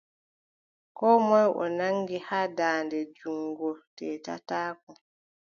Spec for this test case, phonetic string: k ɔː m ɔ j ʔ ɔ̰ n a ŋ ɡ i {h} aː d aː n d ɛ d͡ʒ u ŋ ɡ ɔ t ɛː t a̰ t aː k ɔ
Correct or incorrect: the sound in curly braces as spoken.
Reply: correct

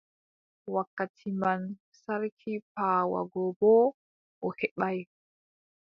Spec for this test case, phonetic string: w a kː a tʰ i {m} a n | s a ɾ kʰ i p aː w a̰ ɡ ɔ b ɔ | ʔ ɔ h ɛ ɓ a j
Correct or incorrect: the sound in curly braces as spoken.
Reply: correct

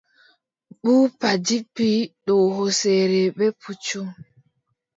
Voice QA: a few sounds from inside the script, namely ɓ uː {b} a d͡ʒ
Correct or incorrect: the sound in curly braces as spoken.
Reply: incorrect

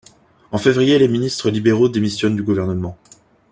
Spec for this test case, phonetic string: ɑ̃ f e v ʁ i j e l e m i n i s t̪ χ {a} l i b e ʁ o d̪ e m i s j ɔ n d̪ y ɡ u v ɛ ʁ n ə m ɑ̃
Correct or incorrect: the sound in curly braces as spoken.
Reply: incorrect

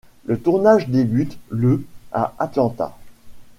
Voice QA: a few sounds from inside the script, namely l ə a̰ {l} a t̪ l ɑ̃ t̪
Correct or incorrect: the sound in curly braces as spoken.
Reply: incorrect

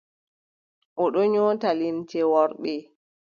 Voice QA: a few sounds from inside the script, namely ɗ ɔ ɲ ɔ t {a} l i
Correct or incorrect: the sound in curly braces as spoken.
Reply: correct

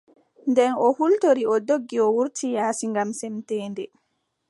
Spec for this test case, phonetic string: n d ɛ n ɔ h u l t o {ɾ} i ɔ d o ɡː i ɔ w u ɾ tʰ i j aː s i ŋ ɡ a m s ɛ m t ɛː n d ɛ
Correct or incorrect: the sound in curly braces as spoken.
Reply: correct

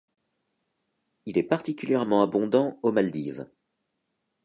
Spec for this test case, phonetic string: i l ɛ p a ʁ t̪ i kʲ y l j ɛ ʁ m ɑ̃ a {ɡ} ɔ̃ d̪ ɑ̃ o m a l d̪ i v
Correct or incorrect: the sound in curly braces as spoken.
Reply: incorrect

